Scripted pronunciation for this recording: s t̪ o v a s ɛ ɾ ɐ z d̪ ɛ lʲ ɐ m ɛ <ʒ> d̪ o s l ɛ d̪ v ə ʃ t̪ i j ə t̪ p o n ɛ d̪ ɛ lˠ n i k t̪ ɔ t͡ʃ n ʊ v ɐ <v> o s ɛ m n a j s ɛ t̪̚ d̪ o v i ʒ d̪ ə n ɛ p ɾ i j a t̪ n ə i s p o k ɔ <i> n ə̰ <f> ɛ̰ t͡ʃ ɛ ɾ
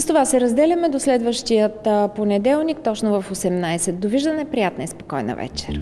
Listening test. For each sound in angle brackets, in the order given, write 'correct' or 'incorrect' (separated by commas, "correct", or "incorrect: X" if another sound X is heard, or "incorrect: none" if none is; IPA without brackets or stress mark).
incorrect: none, incorrect: f, incorrect: j, incorrect: v